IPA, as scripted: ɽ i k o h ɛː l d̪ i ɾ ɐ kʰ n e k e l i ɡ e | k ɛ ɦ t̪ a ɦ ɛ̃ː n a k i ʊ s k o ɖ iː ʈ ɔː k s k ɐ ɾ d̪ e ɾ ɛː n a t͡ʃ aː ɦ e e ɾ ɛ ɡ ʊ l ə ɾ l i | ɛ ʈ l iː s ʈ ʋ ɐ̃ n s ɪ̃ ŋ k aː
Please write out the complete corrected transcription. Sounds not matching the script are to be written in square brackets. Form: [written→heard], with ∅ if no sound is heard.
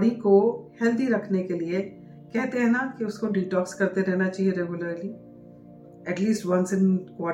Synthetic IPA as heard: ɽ i k o h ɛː l d̪ i ɾ ɐ kʰ n e k e l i [ɡ→∅] e | k ɛ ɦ t̪ [a→e] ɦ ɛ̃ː n a k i ʊ s k o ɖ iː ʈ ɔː k s k ɐ ɾ [d̪→t̪] e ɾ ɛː n a t͡ʃ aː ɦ [e→i] e ɾ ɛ ɡ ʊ l ə ɾ l i | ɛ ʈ l iː s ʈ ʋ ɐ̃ n s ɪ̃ [ŋ→n] k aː